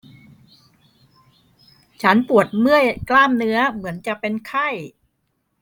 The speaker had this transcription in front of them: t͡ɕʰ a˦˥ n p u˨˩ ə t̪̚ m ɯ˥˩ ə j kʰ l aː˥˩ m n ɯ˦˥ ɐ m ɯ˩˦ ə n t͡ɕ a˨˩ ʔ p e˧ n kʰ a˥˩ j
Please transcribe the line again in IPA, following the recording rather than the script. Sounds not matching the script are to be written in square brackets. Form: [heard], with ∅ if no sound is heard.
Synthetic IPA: t͡ɕʰ a˦˥ n p u˨˩ ə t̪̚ m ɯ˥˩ ə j [k] l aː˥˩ m n ɯ˦˥ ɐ m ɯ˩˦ ə n t͡ɕ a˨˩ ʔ p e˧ n kʰ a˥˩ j